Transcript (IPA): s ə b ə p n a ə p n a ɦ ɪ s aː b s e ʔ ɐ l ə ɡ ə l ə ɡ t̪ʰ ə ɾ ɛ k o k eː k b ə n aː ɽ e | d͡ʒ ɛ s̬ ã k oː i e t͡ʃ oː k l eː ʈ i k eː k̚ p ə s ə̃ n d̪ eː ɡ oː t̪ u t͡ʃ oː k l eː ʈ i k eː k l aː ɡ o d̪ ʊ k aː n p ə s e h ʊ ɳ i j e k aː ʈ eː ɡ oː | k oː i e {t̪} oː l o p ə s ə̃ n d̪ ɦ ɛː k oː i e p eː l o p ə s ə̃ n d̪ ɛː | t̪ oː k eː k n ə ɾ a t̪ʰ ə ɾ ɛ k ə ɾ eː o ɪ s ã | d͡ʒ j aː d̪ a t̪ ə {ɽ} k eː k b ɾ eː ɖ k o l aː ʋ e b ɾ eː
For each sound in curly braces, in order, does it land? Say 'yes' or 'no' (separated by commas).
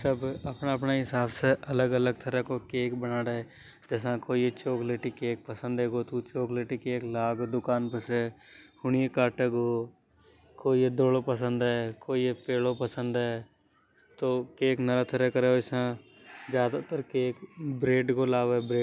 no, no